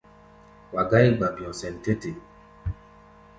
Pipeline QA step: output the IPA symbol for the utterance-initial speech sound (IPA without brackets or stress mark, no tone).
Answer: w